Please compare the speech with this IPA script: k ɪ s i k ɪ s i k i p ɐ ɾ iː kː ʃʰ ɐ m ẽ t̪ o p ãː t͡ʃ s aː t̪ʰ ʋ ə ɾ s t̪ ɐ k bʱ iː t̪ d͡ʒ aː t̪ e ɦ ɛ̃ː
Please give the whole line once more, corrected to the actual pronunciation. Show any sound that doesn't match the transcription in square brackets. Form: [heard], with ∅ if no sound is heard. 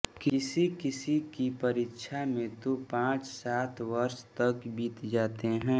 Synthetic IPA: k ɪ s i k ɪ s i k i p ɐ ɾ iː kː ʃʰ [a] m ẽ t̪ o p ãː t͡ʃ s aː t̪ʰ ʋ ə ɾ [ʃ] t̪ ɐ k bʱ iː t̪ d͡ʒ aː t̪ e ɦ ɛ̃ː